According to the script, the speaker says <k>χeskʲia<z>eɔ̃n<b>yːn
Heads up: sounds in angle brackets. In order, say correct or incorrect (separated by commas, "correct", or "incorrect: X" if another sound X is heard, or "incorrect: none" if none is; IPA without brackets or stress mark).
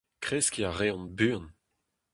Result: correct, incorrect: ʁ, correct